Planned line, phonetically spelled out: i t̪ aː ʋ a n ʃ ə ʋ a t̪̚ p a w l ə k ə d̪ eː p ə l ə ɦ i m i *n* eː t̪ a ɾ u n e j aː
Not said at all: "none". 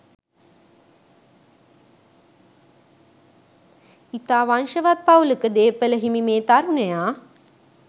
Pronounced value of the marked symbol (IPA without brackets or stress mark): m